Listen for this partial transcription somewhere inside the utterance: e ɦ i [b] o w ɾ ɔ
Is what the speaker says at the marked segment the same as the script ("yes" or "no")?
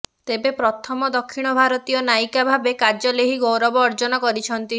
no